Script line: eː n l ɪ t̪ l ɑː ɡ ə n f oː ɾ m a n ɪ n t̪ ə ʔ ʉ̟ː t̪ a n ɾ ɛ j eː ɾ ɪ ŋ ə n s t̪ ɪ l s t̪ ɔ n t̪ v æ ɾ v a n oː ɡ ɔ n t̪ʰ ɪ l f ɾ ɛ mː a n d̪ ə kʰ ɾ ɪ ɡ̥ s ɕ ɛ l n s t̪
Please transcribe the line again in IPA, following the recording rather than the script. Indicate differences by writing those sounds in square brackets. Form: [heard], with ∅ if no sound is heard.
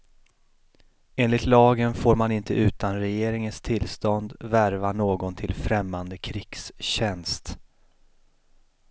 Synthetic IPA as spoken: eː n l ɪ t̪ l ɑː ɡ ə n f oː ɾ m a n ɪ n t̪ ə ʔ ʉ̟ː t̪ a n ɾ ɛ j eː ɾ ɪ ŋ ə n s [t̪ʰ] ɪ l s t̪ ɔ n [d̪] v æ ɾ v a n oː ɡ ɔ n t̪ʰ ɪ l f ɾ ɛ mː a n d̪ ə kʰ ɾ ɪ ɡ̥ s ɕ ɛ [∅] n s t̪